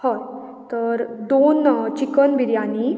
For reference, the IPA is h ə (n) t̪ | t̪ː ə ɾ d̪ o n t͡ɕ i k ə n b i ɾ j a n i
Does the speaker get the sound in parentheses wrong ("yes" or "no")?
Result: yes